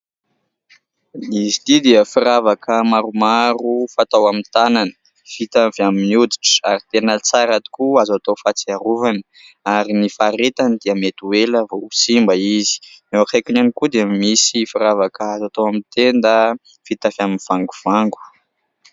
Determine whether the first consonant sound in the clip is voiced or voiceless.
voiced